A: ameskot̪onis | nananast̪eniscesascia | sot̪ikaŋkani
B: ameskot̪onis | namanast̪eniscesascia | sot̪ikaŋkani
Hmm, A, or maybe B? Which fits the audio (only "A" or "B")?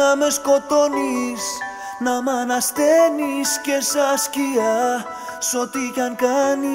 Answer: B